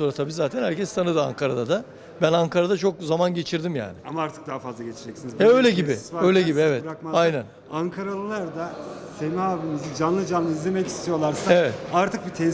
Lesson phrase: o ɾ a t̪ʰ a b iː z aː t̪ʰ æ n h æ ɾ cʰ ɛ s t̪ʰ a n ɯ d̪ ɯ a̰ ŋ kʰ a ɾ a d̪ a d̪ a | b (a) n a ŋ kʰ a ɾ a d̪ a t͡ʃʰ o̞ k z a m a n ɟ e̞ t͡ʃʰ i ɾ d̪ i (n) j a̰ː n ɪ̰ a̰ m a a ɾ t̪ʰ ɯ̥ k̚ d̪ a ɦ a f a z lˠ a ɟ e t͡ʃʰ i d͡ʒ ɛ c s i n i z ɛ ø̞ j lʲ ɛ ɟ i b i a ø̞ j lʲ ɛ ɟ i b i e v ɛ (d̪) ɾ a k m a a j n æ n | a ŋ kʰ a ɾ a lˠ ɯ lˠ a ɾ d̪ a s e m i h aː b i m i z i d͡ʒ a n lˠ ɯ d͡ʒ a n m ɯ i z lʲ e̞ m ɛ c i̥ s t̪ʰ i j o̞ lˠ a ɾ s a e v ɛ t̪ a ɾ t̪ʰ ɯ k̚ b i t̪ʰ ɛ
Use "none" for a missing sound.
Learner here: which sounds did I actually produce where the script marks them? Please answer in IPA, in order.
æ, m, t̪

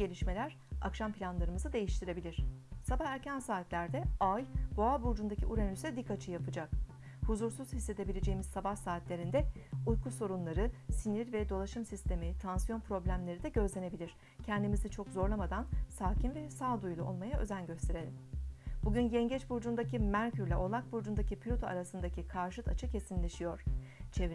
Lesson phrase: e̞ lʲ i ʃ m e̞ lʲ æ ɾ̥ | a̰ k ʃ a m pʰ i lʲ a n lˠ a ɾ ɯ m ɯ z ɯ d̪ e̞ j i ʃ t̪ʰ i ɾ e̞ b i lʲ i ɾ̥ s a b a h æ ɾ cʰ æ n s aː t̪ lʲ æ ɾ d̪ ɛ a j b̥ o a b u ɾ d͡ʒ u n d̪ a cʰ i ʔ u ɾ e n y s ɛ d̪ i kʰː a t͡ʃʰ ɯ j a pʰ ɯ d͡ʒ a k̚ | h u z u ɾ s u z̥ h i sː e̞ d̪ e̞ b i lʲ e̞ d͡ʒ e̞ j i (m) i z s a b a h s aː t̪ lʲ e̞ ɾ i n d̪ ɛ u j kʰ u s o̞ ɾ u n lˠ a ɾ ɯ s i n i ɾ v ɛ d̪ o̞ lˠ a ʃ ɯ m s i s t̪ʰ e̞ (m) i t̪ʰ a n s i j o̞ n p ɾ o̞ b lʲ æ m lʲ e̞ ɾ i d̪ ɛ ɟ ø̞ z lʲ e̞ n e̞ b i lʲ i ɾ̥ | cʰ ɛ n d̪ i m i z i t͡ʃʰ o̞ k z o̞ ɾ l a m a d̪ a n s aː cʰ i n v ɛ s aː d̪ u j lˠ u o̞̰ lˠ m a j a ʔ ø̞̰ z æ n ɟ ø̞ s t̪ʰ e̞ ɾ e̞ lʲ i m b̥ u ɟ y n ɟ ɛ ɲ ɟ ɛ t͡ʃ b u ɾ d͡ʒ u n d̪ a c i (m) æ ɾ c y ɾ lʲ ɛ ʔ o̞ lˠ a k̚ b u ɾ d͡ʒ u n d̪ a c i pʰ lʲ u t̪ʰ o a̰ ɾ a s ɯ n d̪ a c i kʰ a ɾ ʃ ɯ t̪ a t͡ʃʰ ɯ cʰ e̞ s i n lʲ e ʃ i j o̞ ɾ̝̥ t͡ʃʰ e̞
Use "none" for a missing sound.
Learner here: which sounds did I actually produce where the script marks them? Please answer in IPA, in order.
m, m, m

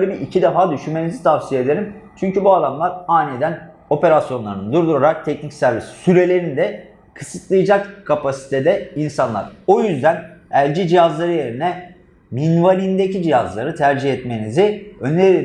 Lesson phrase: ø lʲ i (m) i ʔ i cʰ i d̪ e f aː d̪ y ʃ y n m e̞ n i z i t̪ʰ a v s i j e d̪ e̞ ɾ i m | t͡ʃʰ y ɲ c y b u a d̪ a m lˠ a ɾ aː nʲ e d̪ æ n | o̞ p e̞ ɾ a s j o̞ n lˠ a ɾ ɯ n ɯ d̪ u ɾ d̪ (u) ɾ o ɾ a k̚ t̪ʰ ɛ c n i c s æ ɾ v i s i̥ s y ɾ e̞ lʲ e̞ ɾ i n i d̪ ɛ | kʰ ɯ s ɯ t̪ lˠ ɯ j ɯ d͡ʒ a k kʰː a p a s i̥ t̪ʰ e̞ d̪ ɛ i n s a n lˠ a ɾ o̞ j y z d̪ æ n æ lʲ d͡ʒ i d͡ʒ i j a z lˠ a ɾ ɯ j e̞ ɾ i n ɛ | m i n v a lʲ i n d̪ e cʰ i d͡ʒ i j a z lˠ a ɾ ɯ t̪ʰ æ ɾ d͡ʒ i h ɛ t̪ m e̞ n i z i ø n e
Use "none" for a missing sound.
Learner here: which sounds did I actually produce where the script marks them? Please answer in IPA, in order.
b, u

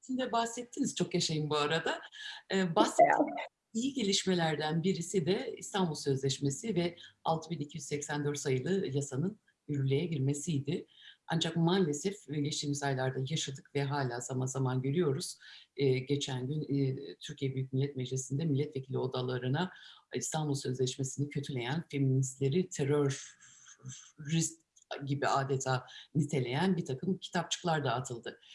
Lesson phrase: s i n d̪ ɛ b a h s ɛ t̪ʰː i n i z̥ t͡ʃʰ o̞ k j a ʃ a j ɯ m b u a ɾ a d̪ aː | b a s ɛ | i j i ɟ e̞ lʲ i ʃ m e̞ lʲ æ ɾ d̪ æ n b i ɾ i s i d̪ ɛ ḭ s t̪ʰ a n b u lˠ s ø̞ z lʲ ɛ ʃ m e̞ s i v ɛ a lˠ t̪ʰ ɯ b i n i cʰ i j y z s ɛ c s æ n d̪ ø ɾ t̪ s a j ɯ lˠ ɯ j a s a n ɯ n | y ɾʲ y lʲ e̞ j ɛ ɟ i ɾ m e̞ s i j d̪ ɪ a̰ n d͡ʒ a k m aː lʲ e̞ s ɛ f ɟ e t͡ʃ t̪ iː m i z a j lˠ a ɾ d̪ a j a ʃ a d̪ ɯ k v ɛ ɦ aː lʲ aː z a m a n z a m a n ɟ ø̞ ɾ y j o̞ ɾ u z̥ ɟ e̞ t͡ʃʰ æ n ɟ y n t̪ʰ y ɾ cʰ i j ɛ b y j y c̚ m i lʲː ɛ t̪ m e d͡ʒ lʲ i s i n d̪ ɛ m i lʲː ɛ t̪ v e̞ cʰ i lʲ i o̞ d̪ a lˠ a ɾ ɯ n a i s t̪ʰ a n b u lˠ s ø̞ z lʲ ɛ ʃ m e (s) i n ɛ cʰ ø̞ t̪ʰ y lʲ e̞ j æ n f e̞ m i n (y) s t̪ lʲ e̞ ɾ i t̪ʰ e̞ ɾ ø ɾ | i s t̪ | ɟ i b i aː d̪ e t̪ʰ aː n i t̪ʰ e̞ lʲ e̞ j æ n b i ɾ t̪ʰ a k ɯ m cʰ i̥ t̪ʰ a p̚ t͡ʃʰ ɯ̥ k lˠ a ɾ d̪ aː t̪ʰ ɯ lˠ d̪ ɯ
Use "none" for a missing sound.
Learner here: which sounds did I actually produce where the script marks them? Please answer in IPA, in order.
s, i

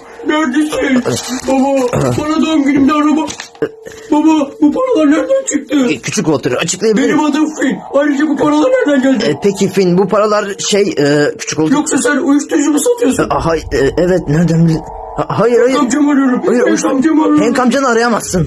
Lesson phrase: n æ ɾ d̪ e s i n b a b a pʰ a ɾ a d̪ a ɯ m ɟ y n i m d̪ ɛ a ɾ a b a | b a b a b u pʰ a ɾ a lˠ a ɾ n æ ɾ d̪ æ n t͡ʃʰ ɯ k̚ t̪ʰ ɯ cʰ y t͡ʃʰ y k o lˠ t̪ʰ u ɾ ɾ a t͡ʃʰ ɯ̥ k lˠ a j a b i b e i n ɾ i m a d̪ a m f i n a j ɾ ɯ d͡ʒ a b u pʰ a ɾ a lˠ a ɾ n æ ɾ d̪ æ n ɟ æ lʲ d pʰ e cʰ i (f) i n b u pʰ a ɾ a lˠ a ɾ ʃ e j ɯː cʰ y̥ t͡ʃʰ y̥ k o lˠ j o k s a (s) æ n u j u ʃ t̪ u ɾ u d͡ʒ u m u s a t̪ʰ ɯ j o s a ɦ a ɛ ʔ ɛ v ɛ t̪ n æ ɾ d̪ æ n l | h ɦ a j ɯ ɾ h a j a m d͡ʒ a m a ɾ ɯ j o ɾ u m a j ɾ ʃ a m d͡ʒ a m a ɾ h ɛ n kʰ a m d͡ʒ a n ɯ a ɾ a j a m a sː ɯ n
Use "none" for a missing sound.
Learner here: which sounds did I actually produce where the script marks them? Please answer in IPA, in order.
f, s

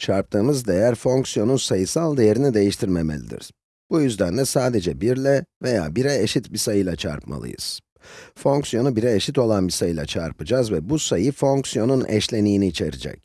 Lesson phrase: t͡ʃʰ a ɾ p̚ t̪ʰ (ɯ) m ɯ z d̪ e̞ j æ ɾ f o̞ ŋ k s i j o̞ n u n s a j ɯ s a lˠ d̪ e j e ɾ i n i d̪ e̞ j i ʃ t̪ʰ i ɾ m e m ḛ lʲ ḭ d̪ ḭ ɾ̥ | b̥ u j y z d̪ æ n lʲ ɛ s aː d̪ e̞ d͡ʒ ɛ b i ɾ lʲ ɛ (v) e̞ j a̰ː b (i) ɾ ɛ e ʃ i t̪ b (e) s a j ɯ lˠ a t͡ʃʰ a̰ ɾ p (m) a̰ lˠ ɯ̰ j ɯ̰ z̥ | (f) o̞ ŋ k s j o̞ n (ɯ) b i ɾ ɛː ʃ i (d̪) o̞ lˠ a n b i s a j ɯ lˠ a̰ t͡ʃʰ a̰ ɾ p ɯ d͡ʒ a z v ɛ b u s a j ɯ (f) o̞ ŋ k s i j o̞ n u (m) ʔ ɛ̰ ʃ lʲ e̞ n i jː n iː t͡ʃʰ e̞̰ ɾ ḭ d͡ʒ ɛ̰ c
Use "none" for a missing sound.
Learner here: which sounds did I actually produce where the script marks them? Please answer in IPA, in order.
ɯː, v, i, i, m, f, u, t̪, f, n

